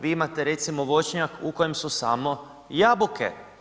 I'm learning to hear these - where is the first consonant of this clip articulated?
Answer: lips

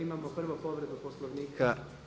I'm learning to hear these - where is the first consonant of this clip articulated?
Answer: lips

